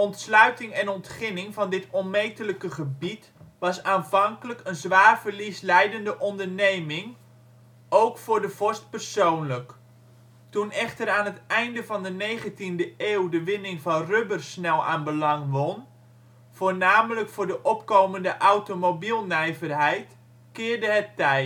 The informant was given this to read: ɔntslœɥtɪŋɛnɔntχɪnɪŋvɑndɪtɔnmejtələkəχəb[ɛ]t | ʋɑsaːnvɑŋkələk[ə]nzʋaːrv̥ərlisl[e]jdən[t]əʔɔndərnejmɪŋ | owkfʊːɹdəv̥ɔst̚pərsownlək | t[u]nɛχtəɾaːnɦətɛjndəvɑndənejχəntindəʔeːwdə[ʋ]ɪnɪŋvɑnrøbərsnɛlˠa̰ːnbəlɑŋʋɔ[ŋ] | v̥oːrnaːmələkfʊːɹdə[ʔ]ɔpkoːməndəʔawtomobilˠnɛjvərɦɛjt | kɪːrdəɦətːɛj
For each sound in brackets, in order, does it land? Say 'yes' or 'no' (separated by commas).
no, yes, no, no, yes, yes, no, yes